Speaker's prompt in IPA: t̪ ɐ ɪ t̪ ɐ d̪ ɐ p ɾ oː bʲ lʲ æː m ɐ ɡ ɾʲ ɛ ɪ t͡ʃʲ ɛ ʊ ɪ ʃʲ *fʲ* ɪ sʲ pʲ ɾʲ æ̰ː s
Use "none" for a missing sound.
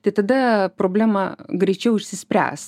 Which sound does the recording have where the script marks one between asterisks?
sʲ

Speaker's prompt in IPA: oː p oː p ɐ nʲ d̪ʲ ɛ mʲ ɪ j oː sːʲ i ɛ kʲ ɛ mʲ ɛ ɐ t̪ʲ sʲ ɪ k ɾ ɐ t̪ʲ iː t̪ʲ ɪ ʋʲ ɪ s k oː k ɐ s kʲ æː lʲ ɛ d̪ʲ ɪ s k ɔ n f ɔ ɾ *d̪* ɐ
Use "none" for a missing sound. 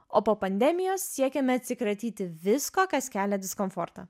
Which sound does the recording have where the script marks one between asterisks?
t̪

